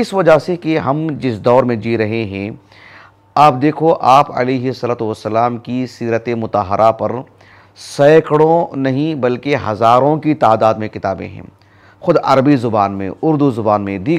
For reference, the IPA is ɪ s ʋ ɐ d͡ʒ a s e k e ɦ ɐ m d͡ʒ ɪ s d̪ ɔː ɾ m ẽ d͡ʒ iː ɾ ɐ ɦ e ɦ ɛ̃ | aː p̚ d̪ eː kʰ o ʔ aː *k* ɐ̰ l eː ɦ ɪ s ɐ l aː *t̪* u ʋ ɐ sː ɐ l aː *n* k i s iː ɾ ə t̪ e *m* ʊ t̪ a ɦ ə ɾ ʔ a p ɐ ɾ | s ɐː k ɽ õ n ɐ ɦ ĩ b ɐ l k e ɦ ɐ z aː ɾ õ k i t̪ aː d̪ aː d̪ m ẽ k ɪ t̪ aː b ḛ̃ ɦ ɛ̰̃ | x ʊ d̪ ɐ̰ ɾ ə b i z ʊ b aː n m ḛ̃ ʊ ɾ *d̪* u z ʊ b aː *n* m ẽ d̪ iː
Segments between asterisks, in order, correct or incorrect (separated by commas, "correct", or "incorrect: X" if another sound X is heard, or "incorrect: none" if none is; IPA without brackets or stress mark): incorrect: p, correct, incorrect: m, correct, correct, correct